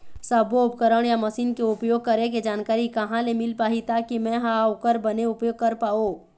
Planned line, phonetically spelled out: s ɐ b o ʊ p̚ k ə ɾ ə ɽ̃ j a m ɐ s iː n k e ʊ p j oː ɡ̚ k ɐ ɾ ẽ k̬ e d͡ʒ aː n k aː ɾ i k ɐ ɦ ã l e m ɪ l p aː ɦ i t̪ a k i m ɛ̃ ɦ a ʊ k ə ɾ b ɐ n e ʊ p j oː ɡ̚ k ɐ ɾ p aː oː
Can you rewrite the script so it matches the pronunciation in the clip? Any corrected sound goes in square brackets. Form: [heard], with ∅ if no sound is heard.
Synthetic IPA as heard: s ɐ b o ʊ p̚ k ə ɾ ə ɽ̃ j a m ɐ s iː n k e ʊ p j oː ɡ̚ k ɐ ɾ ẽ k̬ e d͡ʒ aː n k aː ɾ i k ɐ ɦ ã l e m ɪ l p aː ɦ i t̪ a k i m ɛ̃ ɦ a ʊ k ə ɾ b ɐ n e ʊ p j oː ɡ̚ k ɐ ɾ p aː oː

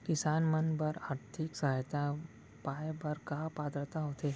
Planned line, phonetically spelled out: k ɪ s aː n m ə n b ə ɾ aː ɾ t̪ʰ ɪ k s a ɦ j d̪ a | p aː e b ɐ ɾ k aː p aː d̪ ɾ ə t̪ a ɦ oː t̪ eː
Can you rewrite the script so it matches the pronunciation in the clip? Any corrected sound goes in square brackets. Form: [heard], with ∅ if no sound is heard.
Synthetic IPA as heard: k ɪ s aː n m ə n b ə ɾ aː ɾ t̪ʰ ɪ k s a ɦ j [t̪] a | p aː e b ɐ ɾ k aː p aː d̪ ɾ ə t̪ a ɦ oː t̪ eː

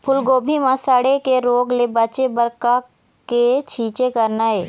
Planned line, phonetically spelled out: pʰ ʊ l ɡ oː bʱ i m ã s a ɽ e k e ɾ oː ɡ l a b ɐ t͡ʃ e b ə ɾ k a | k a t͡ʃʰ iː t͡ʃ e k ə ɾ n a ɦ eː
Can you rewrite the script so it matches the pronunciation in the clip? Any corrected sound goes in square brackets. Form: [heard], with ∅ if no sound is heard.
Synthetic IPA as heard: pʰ ʊ l ɡ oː bʱ i m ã s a ɽ e k e ɾ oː ɡ l [e] b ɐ t͡ʃ e b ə ɾ k a | k [e] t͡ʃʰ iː t͡ʃ e k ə ɾ n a ɦ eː

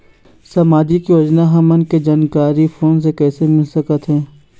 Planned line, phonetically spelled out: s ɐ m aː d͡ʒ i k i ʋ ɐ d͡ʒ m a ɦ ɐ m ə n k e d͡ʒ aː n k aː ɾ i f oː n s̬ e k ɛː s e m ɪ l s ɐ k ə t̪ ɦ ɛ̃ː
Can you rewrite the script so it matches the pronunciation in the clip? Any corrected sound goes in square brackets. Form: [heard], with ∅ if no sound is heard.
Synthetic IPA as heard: s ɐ m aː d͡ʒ i k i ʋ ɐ d͡ʒ [n] a ɦ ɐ m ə n k e d͡ʒ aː n k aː ɾ i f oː n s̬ e k ɛː s e m ɪ l s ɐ k ə t̪ ɦ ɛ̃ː

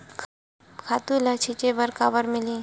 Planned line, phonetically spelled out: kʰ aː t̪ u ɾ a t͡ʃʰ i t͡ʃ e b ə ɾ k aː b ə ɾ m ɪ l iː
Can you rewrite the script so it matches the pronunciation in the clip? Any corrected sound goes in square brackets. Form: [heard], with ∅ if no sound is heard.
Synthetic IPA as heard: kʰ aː t̪ u [l] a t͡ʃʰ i t͡ʃ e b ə ɾ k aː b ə ɾ m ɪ l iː

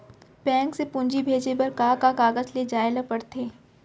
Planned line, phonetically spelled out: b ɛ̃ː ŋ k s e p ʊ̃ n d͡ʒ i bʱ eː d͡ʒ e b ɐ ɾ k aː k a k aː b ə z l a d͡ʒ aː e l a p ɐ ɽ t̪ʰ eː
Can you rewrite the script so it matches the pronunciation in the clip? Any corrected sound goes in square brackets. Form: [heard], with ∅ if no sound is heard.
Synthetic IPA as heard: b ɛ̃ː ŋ k s e p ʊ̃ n d͡ʒ i bʱ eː d͡ʒ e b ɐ ɾ k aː k a k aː [ɡ] ə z l [e] d͡ʒ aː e l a p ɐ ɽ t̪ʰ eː

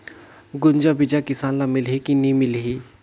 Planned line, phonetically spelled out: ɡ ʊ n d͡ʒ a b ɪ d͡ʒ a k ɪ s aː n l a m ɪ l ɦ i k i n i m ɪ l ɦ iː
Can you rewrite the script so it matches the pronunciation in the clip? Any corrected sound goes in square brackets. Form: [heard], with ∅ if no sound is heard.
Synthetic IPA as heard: ɡ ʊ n d͡ʒ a b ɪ d͡ʒ a k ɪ s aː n l a m ɪ l ɦ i k i n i m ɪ l ɦ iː

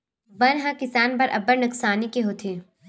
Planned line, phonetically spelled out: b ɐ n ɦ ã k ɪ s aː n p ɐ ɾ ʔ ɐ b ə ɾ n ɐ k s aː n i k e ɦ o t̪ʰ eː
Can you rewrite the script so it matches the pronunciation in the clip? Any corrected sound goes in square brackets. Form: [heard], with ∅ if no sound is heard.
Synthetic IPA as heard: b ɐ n ɦ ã k ɪ s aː n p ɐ ɾ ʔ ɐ b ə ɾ n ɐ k s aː n i k e ɦ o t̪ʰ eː

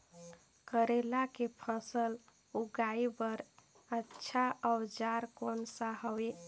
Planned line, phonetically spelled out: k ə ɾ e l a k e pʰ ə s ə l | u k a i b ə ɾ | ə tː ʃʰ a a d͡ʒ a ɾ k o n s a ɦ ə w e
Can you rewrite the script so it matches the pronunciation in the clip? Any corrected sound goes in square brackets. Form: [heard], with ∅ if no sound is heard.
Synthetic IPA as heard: k ə ɾ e l a k e pʰ ə s ə l | u [ɡ] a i b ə ɾ | ə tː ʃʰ a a d͡ʒ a ɾ k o n s a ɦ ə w e

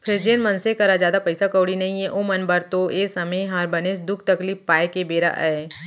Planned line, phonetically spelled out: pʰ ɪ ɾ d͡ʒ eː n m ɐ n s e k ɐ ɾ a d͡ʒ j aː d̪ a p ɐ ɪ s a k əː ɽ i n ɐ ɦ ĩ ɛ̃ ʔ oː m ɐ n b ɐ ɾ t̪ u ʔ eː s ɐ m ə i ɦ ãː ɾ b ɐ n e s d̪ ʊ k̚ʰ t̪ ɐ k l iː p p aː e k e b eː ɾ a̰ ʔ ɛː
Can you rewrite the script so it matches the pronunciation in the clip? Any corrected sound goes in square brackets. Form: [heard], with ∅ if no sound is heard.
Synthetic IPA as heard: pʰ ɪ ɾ d͡ʒ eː n m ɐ n s e k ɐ ɾ a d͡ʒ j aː d̪ a p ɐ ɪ s a k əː ɽ i n ɐ ɦ ĩ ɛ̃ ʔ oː m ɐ n b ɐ ɾ t̪ [o] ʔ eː s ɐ m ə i ɦ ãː ɾ b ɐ n e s d̪ ʊ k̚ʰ t̪ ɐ k l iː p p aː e k e b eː ɾ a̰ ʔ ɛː

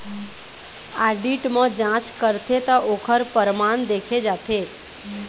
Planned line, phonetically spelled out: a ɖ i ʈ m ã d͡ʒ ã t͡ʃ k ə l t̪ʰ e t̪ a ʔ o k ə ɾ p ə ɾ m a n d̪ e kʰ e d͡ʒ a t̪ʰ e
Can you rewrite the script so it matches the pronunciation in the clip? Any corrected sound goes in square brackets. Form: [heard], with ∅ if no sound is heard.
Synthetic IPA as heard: a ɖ i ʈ m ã d͡ʒ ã t͡ʃ k ə [ɾ] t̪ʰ e t̪ a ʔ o [kʰ] ə ɾ p ə ɾ m a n d̪ e kʰ e d͡ʒ a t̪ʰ e

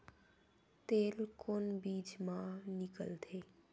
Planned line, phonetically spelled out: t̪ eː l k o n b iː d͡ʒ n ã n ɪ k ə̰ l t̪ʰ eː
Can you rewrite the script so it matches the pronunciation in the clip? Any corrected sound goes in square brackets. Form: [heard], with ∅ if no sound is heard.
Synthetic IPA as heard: t̪ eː l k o n b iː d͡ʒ [m] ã n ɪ k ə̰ l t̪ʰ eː

